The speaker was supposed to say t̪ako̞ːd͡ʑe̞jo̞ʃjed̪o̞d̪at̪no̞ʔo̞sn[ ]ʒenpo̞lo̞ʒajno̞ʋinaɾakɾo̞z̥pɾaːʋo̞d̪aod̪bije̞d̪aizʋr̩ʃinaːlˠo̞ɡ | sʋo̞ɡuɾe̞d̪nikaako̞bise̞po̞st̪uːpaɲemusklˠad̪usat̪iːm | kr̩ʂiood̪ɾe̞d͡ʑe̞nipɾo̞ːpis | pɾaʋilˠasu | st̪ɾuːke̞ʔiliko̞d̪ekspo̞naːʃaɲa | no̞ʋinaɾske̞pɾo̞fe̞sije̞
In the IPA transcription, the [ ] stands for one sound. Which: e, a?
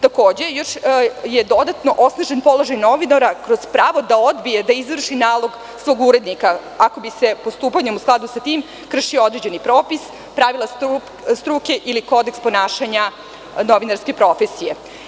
a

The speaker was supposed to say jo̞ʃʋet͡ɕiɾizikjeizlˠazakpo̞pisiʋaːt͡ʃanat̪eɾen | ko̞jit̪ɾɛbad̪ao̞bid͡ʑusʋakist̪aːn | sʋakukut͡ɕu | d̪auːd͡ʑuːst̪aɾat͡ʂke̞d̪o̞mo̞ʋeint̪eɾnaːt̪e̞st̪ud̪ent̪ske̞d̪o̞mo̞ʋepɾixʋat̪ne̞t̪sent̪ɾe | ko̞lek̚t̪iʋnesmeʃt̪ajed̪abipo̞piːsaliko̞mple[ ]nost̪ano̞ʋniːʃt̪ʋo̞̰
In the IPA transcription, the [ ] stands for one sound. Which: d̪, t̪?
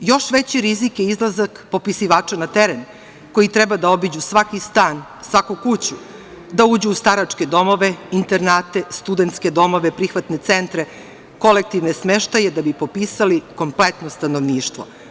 t̪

